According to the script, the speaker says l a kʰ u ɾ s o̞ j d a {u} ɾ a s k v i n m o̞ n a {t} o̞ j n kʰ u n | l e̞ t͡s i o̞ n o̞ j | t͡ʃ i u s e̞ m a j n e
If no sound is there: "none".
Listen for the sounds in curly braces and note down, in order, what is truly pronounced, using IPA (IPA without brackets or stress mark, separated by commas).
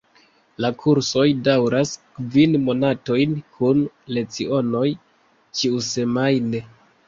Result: w, t